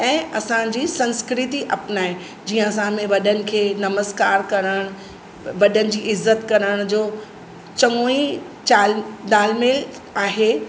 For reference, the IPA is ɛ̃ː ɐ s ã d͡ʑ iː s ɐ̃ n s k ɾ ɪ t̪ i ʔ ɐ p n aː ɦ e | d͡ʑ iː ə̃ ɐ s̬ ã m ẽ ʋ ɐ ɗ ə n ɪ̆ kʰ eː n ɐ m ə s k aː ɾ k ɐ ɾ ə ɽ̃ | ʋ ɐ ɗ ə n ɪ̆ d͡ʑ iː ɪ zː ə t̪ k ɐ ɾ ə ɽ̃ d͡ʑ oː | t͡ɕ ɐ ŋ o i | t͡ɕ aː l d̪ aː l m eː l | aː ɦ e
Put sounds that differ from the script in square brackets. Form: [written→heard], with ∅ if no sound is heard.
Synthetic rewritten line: ɛ̃ː ɐ s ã d͡ʑ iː s ɐ̃ n s k ɾ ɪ t̪ i ʔ ɐ p n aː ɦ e | d͡ʑ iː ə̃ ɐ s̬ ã m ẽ ʋ ɐ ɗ ə n ɪ̆ kʰ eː n ɐ m ə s k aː ɾ k ɐ ɾ ə ɽ̃ | ʋ ɐ ɗ ə n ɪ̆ d͡ʑ iː ɪ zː ə t̪ k ɐ ɾ ə ɽ̃ d͡ʑ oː | t͡ɕ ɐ ŋ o i | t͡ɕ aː l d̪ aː l m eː l | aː ɦ e